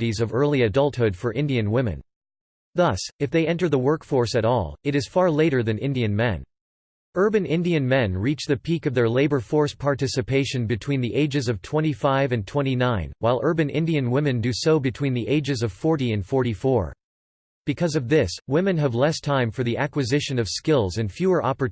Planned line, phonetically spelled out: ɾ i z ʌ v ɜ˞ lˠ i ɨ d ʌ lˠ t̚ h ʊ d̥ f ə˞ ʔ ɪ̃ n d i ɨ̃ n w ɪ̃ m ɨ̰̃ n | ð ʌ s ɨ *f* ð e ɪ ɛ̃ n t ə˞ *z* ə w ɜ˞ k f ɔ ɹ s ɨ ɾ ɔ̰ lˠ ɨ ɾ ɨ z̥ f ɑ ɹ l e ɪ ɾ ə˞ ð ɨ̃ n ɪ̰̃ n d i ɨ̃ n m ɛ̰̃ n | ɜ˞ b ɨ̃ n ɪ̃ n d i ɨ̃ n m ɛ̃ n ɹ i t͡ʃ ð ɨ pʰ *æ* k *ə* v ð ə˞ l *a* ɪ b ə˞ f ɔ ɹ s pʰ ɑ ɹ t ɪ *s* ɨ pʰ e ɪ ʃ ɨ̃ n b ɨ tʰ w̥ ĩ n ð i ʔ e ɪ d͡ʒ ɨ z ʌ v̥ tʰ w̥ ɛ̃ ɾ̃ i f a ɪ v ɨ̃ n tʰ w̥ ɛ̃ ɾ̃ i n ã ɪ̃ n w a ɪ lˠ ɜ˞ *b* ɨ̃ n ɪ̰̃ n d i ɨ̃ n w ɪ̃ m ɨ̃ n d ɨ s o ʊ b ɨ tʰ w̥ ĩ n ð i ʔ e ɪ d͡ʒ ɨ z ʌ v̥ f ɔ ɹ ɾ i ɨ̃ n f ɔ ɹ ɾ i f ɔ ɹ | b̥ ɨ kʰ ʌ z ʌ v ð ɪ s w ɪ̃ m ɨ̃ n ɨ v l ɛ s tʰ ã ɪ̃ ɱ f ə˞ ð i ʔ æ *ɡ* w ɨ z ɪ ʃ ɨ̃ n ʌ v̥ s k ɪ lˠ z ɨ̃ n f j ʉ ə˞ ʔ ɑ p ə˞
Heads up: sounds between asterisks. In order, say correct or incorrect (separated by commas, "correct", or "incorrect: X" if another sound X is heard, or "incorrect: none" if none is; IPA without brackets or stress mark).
correct, incorrect: ð, incorrect: i, incorrect: ʌ, incorrect: e, correct, correct, incorrect: k